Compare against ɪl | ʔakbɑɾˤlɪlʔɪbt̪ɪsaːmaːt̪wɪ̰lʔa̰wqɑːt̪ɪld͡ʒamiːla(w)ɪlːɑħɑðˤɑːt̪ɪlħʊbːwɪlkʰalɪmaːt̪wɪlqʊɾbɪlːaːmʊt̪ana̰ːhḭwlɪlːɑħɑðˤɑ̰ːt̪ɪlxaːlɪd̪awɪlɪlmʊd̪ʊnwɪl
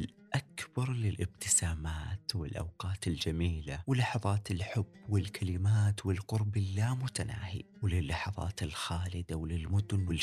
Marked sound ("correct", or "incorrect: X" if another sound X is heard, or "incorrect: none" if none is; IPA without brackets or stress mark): correct